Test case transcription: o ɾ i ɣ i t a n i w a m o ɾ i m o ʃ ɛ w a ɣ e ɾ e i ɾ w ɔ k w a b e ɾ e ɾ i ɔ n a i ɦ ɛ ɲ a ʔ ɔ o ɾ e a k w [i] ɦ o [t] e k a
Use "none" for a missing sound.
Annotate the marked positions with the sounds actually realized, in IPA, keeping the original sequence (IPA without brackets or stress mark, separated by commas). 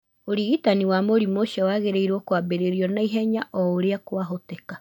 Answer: a, t